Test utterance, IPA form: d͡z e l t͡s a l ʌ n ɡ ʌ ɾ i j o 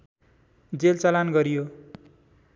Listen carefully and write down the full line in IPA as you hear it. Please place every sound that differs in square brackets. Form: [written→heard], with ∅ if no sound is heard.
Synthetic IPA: d͡z e l t͡s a l [ʌ→a] n ɡ ʌ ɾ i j o